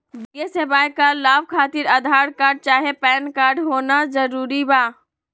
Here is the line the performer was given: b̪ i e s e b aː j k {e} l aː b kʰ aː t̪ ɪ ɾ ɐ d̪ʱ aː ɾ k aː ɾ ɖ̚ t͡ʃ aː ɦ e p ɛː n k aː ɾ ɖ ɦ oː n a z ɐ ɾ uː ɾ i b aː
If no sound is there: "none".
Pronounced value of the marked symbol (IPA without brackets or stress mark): a